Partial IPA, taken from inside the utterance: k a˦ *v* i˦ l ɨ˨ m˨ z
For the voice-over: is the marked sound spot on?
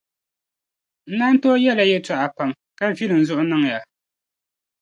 yes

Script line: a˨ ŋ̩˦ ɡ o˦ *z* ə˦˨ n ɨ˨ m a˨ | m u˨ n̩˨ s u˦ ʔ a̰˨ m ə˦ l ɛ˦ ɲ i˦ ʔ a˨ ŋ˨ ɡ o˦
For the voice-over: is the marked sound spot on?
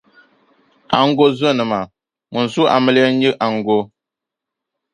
yes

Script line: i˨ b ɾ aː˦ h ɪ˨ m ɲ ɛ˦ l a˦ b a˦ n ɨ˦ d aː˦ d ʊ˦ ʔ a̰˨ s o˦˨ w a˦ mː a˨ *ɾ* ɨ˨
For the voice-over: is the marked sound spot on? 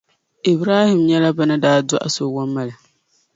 no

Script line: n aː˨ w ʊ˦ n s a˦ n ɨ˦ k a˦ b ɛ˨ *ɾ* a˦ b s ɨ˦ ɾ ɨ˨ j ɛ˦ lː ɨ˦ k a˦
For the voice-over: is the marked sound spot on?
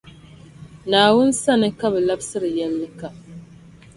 no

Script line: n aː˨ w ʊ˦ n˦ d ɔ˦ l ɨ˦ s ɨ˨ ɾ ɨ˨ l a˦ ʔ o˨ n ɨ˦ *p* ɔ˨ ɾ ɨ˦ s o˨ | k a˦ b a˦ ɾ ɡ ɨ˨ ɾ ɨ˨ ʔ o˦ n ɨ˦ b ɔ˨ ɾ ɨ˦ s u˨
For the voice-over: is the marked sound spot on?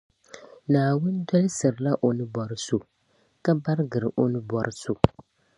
no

